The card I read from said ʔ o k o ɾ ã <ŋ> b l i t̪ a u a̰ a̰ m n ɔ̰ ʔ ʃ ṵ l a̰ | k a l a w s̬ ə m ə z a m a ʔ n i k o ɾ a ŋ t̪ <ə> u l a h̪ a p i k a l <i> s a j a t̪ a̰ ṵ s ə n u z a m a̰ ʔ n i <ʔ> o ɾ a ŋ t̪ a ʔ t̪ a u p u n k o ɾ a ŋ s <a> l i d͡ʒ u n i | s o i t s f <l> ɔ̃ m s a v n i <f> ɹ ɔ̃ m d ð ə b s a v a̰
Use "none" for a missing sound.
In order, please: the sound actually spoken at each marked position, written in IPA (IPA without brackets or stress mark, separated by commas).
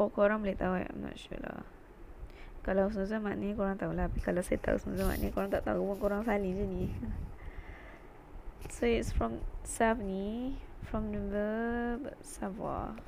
ŋ, a, a, k, a, ɹ, f